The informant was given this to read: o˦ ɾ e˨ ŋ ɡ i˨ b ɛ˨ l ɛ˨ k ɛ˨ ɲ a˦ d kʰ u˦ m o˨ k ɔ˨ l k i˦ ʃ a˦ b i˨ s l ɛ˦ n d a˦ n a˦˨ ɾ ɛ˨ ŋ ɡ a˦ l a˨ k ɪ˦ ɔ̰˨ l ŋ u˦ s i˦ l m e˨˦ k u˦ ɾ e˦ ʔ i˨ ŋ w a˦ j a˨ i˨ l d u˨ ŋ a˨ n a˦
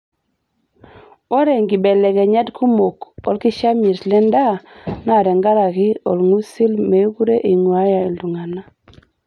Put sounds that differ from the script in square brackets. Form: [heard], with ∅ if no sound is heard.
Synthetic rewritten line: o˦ ɾ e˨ ŋ ɡ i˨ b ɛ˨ l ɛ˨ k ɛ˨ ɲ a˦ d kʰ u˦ m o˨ k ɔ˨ l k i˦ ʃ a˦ [m] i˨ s l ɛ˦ n d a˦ n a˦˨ ɾ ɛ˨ ŋ ɡ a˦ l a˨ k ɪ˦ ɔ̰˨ l ŋ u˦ s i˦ l m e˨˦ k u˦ ɾ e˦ ʔ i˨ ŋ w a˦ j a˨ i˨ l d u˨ ŋ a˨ n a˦